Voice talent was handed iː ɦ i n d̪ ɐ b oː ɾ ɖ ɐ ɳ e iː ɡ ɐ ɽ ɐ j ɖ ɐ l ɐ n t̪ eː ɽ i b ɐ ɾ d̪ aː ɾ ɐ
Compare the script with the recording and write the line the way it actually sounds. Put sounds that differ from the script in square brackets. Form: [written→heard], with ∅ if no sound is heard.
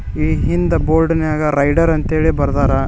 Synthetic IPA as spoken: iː ɦ i n d̪ ɐ b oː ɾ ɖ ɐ [ɳ→n] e [iː→aː] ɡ ɐ [ɽ→ɾ] ɐ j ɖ ɐ [l→ɾ] ɐ n t̪ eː [ɽ→ɭ] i b ɐ ɾ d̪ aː ɾ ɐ